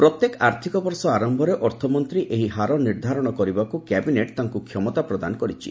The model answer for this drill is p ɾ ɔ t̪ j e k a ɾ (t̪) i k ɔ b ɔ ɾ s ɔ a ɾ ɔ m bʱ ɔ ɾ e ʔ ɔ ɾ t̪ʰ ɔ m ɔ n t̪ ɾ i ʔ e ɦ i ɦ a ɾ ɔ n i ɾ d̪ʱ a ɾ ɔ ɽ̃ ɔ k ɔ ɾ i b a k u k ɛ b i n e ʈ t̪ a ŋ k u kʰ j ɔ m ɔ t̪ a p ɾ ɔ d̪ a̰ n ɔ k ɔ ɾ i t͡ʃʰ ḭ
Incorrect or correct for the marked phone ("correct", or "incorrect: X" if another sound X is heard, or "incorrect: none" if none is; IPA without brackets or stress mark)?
incorrect: t̪ʰ